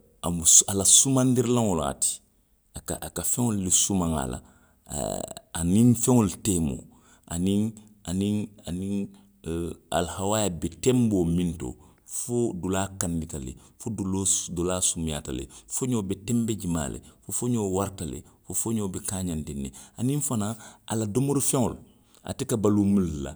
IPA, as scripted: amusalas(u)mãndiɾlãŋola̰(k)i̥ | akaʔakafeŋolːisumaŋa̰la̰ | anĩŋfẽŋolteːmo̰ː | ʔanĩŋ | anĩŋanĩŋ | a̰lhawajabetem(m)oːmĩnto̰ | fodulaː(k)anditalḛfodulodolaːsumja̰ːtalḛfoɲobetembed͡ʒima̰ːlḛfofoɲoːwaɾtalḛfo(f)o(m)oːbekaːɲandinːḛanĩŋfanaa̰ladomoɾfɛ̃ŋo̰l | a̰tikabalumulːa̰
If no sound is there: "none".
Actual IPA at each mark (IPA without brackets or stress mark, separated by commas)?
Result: u, t, b, k, f, ɲ